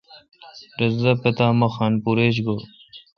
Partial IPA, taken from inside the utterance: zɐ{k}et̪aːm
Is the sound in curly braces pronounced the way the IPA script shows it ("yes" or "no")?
no